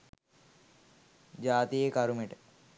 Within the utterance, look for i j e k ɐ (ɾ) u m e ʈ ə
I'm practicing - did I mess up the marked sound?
no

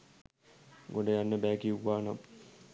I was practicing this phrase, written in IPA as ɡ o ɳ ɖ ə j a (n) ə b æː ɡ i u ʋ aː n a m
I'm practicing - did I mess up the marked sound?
yes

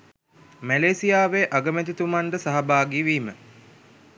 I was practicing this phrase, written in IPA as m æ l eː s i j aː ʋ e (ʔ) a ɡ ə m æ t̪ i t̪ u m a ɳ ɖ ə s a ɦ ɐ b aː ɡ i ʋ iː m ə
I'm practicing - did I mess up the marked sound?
no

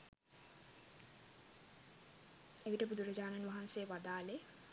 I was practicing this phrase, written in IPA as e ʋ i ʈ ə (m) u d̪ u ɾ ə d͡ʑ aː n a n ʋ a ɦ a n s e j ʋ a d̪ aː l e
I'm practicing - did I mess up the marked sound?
yes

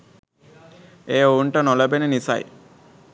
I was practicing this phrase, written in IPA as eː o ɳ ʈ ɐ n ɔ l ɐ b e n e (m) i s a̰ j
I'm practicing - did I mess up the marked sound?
yes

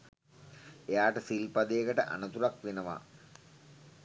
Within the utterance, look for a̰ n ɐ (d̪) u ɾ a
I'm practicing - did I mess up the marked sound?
yes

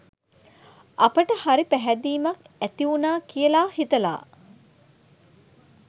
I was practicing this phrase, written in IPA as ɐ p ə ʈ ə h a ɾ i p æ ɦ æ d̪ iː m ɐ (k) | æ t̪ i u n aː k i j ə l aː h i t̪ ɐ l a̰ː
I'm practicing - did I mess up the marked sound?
no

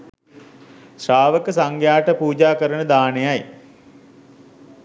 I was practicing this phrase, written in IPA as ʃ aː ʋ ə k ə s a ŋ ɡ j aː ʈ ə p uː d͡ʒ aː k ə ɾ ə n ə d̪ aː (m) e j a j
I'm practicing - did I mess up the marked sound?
yes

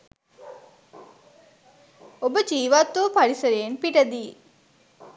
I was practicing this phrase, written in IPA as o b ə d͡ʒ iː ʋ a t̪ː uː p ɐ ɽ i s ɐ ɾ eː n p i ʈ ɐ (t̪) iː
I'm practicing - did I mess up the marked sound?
yes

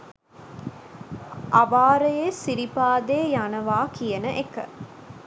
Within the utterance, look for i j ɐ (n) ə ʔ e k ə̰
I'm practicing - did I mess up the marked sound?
no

